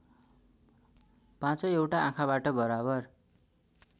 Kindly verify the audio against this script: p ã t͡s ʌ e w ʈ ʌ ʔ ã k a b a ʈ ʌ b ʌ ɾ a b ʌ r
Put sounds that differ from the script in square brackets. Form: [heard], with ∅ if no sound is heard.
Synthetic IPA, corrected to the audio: p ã t͡s ʌ e w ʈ [a] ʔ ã [kʰ] a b a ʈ ʌ b ʌ ɾ a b ʌ r